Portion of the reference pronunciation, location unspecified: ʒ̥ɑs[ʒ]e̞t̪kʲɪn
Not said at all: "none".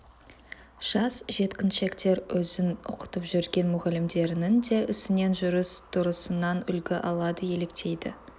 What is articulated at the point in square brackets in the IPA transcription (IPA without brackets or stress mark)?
ʒ